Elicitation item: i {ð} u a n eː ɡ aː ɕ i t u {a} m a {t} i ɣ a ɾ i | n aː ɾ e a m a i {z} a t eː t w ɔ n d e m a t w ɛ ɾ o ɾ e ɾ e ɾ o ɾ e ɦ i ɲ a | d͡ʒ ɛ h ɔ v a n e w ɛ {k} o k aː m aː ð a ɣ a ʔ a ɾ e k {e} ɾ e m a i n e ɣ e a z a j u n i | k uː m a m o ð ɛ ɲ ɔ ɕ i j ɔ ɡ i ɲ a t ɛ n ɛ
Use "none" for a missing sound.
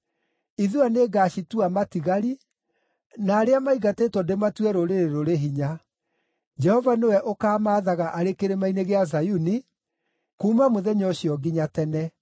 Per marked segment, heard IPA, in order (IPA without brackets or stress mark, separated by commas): ð, a, t, ɣ, ʔ, e